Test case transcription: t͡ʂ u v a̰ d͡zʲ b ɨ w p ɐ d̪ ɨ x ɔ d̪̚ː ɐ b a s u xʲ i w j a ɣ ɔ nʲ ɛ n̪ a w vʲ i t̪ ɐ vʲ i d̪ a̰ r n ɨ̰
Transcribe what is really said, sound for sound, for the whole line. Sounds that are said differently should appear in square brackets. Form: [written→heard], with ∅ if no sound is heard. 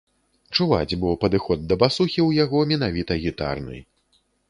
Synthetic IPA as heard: t͡ʂ u v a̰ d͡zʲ b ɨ w p ɐ d̪ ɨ x ɔ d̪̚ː ɐ b a s u xʲ i w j a ɣ ɔ [nʲ→mʲ] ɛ n̪ a [w→∅] vʲ i t̪ ɐ [vʲ→ɣʲ] i [d̪→t̪] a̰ r n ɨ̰

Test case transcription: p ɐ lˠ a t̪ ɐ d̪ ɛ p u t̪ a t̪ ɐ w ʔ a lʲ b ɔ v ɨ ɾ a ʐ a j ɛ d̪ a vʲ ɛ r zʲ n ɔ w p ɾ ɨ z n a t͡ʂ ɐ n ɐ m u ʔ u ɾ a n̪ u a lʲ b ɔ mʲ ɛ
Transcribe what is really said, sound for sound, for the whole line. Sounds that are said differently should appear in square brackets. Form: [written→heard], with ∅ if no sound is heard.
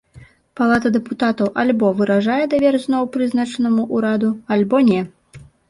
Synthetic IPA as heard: p [ɐ→a] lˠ a t̪ ɐ d̪ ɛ p u t̪ a t̪ ɐ w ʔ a lʲ b ɔ v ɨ ɾ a ʐ a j ɛ d̪ a vʲ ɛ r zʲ n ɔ w p ɾ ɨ z n a t͡ʂ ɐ n ɐ m u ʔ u ɾ a [n̪→d̪] u a lʲ b ɔ [mʲ→nʲ] ɛ

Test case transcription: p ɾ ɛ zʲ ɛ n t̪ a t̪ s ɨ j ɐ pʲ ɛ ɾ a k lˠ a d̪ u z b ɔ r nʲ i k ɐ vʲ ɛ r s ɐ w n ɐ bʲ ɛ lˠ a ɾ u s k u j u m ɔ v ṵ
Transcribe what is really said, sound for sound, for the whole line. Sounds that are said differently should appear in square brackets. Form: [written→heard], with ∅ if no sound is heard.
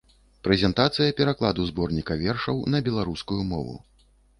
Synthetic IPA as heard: p ɾ ɛ zʲ ɛ n t̪ a t̪ s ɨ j ɐ pʲ ɛ ɾ a k lˠ a d̪ u z b ɔ r nʲ i k ɐ vʲ ɛ r [s→ʂ] ɐ w n ɐ bʲ ɛ lˠ a ɾ u s k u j u m ɔ v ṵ

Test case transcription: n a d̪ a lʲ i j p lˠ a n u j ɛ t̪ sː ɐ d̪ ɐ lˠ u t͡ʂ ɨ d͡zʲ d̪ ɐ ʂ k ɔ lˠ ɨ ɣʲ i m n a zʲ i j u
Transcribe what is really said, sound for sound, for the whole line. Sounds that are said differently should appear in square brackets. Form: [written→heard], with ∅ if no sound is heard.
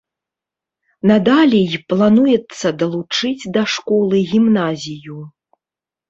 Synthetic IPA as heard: n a d̪ a lʲ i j p lˠ a n u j ɛ t̪ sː ɐ d̪ ɐ lˠ u t͡ʂ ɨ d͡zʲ d̪ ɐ ʂ k ɔ lˠ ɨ ɣʲ i m n a zʲ i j u

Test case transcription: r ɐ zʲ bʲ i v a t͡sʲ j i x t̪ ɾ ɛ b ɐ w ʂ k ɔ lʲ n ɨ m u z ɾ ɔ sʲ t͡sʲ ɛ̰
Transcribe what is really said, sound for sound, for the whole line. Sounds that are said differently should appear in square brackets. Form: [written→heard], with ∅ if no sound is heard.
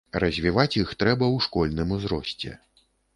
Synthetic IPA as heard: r ɐ zʲ [bʲ→vʲ] i v a t͡sʲ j i x t̪ ɾ ɛ b ɐ w ʂ k ɔ lʲ n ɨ m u z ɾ ɔ sʲ t͡sʲ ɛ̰

